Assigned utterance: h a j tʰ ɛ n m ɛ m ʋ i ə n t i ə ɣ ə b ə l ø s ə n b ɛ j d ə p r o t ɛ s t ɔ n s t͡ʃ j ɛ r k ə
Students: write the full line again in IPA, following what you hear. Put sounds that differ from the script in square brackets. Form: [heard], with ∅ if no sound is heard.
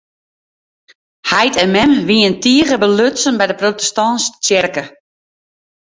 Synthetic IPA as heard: h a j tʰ ɛ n m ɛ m ʋ i ə n t i ə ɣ ə b ə l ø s ə n b ɛ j d ə p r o t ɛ s t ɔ n s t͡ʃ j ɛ r k ə